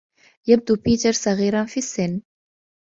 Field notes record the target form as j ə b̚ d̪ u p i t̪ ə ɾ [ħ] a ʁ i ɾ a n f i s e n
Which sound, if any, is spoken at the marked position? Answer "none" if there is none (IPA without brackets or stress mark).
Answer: s